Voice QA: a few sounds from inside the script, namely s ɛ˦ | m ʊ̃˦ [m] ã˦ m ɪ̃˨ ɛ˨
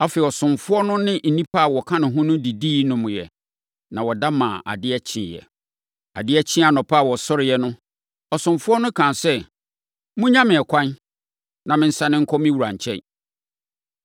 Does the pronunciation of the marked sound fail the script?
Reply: yes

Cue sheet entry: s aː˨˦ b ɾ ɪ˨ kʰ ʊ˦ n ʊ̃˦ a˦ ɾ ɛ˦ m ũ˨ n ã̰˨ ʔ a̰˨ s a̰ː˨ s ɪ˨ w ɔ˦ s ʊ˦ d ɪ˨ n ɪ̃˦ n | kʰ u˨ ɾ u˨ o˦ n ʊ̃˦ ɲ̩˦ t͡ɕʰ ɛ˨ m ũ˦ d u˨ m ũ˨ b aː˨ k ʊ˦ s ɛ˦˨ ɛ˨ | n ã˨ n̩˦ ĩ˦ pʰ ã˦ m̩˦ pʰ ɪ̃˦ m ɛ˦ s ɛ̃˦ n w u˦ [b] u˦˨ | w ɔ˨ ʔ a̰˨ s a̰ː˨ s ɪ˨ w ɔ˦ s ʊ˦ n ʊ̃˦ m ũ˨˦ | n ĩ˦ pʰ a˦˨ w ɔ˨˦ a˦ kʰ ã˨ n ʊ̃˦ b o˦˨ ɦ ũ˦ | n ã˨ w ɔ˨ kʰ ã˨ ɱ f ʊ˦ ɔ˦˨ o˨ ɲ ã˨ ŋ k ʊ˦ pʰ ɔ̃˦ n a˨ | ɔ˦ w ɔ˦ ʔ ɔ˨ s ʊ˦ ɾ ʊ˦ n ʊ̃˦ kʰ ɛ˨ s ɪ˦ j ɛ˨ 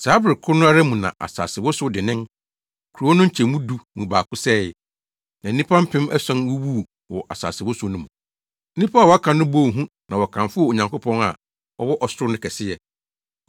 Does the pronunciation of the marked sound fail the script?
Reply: yes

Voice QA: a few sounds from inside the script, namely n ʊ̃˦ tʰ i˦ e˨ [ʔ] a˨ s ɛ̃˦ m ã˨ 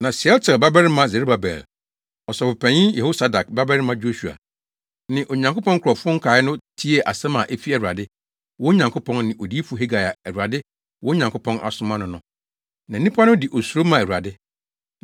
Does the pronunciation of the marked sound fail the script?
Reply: no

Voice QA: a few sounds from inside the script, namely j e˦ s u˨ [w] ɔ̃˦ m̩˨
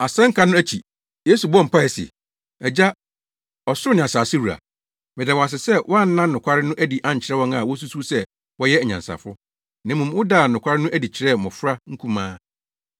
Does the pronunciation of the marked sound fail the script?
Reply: yes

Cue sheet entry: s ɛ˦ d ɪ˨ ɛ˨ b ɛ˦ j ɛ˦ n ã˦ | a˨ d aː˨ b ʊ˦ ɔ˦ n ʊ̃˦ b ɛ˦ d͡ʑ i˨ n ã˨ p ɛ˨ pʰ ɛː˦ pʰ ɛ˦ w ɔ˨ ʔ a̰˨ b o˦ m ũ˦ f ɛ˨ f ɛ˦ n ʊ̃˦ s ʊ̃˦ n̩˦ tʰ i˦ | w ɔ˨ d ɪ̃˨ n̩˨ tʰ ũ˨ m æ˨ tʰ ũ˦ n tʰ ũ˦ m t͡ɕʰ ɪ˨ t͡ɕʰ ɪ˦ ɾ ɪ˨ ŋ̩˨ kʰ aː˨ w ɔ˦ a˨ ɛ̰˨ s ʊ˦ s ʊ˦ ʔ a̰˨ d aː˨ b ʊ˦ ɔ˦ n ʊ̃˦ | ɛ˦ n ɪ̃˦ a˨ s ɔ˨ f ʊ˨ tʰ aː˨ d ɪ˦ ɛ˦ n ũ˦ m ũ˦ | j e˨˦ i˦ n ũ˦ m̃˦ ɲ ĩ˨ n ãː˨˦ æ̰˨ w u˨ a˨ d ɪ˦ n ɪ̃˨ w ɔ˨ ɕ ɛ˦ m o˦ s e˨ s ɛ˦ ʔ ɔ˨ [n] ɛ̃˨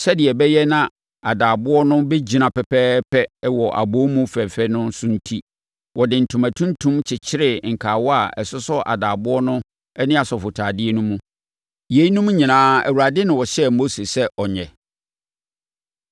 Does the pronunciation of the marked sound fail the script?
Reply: yes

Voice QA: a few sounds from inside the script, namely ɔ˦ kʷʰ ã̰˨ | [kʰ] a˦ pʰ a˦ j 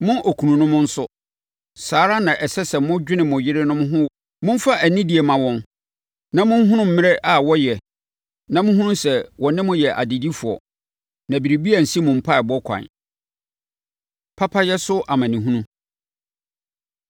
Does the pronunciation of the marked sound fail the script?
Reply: yes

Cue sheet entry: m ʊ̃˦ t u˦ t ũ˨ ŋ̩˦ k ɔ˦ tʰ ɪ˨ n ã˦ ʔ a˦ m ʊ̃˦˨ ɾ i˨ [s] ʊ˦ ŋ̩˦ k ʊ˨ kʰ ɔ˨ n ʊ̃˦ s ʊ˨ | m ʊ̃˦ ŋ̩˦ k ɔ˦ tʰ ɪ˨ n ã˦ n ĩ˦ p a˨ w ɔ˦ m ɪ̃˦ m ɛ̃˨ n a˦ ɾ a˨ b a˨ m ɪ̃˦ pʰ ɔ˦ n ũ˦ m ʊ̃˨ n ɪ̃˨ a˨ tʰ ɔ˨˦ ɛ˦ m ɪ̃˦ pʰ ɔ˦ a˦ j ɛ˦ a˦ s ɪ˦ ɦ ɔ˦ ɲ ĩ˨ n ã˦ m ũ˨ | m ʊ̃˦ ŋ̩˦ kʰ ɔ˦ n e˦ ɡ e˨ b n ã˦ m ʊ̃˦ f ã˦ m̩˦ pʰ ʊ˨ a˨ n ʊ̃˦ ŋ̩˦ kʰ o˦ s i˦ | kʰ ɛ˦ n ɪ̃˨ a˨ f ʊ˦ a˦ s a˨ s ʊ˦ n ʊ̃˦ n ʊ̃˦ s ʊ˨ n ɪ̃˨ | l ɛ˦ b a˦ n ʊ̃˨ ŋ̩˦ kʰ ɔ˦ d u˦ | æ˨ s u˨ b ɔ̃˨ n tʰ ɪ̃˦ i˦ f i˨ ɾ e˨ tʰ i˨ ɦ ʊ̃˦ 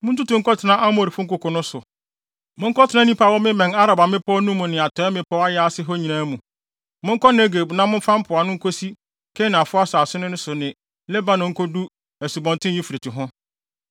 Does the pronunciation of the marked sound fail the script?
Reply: yes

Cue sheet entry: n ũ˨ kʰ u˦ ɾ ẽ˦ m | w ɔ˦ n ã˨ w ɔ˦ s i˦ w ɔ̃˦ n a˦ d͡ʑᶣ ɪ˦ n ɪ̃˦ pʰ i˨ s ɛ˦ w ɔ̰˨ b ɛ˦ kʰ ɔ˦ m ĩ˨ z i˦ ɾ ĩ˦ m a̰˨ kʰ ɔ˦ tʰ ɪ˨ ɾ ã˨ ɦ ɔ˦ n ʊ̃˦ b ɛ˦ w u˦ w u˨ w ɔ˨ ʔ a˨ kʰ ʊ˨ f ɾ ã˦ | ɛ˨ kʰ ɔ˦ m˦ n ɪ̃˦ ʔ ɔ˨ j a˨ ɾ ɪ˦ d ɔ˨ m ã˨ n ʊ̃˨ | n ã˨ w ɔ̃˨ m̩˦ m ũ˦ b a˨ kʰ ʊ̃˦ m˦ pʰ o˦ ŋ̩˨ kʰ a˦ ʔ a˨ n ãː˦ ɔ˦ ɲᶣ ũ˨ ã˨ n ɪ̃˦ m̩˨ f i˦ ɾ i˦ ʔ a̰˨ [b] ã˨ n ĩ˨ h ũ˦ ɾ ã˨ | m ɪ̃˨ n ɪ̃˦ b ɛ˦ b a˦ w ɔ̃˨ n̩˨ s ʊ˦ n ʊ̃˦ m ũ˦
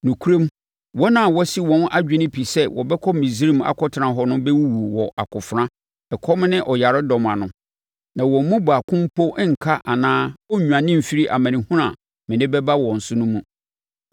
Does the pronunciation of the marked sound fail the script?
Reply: yes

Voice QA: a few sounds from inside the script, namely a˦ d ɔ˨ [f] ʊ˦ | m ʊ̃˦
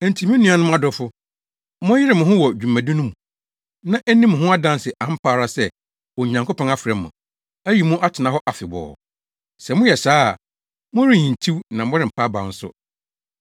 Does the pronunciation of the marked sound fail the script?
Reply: no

